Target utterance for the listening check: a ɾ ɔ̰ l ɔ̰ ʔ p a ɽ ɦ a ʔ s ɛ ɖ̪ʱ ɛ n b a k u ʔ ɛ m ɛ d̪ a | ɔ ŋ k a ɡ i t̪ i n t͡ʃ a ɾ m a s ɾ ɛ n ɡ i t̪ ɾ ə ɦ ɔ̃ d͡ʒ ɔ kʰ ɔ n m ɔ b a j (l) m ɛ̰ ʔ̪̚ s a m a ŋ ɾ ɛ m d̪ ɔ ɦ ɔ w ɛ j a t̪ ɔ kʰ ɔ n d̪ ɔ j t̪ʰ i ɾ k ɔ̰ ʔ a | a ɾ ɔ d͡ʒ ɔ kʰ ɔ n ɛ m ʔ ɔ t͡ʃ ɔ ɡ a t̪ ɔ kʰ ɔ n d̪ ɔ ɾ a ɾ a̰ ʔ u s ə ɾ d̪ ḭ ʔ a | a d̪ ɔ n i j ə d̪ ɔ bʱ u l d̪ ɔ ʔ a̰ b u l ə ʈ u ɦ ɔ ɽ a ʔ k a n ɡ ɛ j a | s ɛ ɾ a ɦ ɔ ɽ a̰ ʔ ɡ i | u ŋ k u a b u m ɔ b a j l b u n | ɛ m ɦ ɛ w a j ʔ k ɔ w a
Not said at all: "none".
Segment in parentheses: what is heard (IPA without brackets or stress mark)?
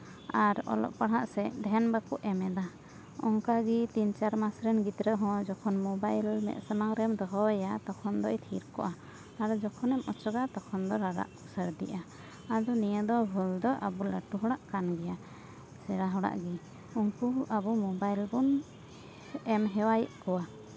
l